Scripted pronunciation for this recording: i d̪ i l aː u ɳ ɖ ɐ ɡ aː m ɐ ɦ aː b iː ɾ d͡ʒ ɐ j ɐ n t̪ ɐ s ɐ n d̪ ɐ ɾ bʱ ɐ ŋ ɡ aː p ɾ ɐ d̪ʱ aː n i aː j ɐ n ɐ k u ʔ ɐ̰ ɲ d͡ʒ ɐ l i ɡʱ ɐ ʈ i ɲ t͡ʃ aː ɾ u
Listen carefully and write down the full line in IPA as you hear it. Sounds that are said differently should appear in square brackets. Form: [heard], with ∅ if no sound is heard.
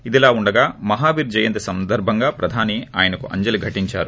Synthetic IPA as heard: i d̪ i l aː u ɳ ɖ ɐ ɡ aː m ɐ ɦ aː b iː ɾ d͡ʒ ɐ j ɐ n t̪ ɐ s ɐ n d̪ ɐ ɾ bʱ ɐ ŋ ɡ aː p ɾ ɐ d̪ʱ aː n i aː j ɐ n ɐ k u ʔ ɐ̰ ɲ d͡ʒ ɐ l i ɡʱ ɐ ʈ i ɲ t͡ʃ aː ɾ u